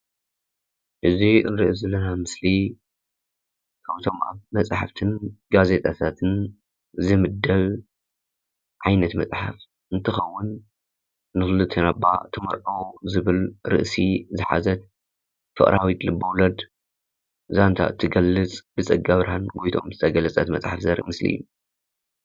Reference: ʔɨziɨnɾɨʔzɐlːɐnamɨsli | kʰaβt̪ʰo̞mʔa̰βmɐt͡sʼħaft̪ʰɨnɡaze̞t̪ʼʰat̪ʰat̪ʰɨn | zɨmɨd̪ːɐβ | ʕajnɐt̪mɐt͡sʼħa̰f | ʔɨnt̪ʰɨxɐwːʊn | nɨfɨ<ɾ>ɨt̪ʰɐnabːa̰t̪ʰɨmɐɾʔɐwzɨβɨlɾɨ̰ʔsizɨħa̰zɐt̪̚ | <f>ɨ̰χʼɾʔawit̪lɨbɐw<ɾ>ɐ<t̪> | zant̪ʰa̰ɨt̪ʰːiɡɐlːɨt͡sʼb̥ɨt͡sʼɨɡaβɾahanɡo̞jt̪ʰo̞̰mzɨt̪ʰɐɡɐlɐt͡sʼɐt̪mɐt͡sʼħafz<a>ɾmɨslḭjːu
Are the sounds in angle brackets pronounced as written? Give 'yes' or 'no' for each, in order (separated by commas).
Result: no, yes, no, no, no